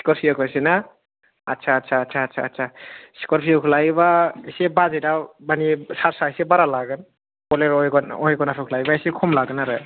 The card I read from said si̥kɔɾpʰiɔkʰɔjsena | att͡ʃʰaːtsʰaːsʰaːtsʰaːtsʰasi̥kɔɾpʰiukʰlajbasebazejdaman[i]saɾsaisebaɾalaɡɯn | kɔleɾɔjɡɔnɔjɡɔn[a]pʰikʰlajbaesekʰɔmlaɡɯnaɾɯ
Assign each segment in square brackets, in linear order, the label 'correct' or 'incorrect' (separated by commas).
correct, correct